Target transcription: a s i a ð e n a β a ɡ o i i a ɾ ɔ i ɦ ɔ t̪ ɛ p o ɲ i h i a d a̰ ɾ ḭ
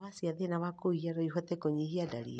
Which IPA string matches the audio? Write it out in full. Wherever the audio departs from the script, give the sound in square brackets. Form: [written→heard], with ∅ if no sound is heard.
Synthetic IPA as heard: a s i a ð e n a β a [ɡ→k] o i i a ɾ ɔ i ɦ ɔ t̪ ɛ [p→k] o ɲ i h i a d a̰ ɾ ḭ